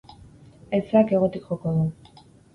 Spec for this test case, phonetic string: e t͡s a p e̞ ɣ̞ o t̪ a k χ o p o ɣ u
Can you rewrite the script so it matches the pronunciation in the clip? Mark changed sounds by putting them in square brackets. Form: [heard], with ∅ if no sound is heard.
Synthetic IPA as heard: e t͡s a [k] e̞ ɣ̞ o t̪ [i] k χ o [k] o [ð] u